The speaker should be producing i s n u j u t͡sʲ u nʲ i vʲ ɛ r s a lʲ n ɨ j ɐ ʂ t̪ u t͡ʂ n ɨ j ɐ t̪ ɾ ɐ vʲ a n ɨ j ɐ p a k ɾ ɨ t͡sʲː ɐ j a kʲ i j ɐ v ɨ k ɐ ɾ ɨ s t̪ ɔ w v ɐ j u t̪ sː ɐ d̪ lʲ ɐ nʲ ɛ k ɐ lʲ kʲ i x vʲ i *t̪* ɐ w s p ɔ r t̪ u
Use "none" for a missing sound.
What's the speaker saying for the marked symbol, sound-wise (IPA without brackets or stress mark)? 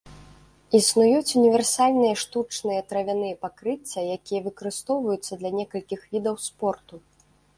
d̪